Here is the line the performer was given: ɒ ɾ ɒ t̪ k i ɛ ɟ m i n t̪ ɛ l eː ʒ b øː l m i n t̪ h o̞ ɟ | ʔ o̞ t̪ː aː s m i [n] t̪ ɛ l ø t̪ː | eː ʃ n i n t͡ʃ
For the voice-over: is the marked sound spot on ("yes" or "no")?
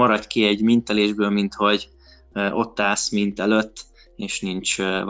yes